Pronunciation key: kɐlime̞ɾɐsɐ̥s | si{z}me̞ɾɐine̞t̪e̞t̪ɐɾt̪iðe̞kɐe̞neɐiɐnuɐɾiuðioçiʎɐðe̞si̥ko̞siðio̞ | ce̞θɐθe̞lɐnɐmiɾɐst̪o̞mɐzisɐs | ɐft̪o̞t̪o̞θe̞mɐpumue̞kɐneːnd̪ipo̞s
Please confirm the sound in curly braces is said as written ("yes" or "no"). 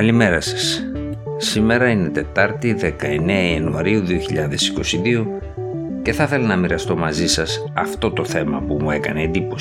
no